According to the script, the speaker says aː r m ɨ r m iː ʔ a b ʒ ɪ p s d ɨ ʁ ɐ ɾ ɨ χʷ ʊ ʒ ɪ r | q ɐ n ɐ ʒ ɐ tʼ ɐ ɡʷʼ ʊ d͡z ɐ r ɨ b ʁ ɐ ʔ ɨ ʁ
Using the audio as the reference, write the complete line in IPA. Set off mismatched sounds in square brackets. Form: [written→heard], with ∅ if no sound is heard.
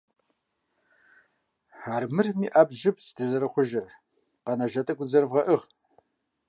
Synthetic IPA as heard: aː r m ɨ r m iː ʔ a b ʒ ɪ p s d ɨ [ʁ→z] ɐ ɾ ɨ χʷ ʊ ʒ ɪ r | q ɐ n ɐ ʒ ɐ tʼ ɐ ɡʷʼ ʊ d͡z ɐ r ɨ [b→v] ʁ ɐ ʔ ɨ ʁ